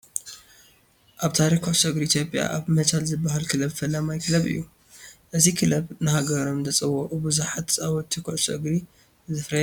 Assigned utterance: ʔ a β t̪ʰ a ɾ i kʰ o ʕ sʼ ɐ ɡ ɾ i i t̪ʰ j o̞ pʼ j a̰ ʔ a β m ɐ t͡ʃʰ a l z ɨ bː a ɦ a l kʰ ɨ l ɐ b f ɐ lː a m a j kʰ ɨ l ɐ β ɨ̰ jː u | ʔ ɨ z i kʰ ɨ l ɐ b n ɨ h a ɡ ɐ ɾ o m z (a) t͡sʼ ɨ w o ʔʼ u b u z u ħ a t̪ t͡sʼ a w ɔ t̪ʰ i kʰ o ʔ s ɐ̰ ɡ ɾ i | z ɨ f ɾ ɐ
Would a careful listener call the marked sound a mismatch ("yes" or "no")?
yes